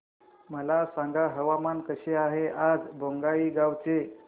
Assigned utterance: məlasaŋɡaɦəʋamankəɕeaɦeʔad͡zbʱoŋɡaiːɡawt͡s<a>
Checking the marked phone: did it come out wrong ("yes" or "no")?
yes